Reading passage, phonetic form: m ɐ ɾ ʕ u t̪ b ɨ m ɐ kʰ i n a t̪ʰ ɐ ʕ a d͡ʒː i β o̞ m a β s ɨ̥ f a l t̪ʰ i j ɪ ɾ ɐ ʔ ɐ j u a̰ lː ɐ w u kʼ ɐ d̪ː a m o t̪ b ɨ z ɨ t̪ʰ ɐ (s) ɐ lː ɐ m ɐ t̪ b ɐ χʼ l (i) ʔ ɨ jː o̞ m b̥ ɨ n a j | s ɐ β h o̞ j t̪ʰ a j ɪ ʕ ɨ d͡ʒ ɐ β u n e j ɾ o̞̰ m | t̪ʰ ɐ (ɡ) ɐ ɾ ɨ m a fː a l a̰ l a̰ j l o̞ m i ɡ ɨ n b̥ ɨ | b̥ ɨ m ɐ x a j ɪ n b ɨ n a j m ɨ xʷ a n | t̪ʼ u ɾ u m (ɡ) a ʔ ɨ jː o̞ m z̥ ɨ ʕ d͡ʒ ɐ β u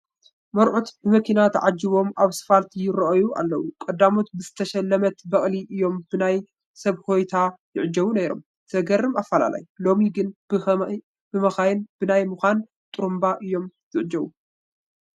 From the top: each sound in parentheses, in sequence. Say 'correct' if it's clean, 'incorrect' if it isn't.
incorrect, correct, correct, incorrect

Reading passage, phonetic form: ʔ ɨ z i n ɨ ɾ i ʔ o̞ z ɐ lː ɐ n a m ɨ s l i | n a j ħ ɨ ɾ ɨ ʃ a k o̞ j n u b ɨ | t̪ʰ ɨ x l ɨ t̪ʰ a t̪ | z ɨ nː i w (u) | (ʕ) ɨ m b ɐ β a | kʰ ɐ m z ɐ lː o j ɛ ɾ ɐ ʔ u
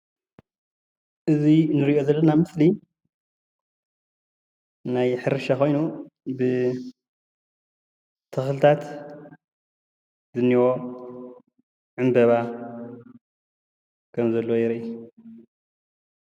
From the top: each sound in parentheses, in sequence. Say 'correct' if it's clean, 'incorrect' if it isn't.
incorrect, correct

